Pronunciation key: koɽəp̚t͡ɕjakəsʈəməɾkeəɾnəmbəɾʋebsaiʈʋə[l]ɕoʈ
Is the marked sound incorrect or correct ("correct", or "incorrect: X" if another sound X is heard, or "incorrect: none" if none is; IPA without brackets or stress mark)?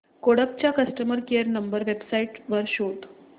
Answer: incorrect: ɾ